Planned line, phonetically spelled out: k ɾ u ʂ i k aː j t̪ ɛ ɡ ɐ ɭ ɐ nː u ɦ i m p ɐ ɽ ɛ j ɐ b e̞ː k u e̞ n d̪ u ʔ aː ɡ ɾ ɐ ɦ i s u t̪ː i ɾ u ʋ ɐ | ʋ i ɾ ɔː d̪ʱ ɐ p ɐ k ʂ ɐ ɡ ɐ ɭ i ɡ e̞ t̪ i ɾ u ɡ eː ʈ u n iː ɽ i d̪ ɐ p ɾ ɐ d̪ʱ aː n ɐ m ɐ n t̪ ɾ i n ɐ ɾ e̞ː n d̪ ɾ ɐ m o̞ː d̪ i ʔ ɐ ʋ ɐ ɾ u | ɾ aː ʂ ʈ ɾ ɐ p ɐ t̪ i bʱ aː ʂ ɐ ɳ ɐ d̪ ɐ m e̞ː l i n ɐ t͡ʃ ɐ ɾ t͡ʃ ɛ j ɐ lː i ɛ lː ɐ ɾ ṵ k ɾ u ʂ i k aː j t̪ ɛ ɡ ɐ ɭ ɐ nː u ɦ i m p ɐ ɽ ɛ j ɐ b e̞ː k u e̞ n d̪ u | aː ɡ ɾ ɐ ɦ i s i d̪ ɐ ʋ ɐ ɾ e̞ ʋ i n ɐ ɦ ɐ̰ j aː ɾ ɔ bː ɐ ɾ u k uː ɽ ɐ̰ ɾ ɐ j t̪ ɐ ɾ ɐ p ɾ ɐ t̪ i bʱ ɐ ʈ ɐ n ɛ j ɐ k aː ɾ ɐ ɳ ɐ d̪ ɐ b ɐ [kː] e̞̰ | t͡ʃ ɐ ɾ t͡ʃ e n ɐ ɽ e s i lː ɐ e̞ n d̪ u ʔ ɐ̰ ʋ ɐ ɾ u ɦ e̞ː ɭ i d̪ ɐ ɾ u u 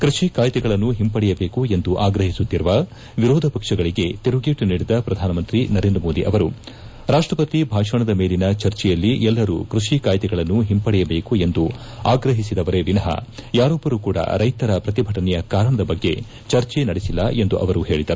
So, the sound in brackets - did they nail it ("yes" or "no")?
no